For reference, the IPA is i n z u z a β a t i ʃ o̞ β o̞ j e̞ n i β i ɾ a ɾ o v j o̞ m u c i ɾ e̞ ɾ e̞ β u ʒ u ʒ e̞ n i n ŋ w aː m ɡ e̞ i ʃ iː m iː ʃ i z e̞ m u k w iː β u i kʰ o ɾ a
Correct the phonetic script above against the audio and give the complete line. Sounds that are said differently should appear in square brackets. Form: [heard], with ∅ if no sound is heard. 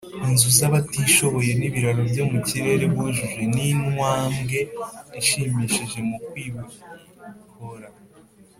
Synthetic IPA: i n z u z a β a t i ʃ o̞ β o̞ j e̞ n i β i ɾ a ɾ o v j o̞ m u c i ɾ e̞ ɾ e̞ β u ʒ u ʒ e̞ n i n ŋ w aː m ɡ e̞ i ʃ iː m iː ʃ i [ʒ] e̞ m u k w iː β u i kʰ o ɾ a